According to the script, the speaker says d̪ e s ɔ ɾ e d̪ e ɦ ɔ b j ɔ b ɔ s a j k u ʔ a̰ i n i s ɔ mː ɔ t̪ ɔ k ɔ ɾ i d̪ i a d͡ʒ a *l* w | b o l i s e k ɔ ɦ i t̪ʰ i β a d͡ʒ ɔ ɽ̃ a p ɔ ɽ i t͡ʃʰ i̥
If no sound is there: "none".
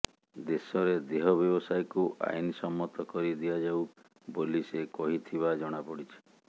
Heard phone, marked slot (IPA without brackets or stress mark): none